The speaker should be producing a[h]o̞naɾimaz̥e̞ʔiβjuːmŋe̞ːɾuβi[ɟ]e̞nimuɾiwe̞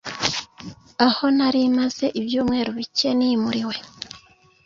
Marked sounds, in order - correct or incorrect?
correct, incorrect: c

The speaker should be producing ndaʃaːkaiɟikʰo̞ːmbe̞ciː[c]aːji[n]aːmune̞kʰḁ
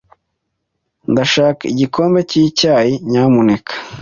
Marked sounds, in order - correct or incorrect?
correct, incorrect: ɲ

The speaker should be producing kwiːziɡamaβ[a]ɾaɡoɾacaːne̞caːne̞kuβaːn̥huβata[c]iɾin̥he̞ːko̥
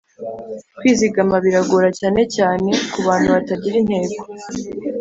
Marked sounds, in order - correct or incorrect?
incorrect: i, incorrect: ɟ

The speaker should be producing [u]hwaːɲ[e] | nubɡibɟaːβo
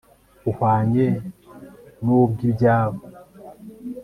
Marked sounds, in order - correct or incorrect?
correct, correct

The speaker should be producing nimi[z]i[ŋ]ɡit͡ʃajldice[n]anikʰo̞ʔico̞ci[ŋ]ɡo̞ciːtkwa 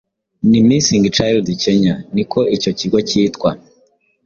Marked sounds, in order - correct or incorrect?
incorrect: s, correct, incorrect: ɲ, incorrect: none

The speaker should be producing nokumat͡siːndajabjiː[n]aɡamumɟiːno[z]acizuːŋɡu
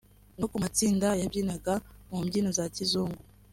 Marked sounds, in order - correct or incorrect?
correct, correct

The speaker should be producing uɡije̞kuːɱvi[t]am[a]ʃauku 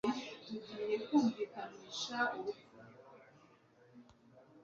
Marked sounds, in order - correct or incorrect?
incorrect: k, incorrect: i

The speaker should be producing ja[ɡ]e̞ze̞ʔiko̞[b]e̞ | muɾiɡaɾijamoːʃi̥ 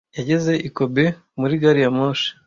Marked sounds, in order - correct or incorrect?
incorrect: ɟ, correct

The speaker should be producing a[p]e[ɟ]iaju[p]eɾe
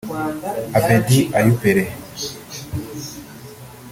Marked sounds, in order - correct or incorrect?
incorrect: b, incorrect: d, correct

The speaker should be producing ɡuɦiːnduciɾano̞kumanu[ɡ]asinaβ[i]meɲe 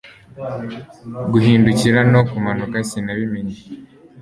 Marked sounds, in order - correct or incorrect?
incorrect: k, correct

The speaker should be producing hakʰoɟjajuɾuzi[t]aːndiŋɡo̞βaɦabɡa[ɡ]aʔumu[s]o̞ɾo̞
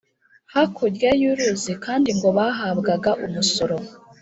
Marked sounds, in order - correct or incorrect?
incorrect: k, correct, correct

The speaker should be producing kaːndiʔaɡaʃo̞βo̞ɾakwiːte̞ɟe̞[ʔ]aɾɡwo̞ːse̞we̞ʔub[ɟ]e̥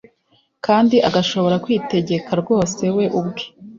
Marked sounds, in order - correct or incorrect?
incorrect: k, incorrect: ɡ

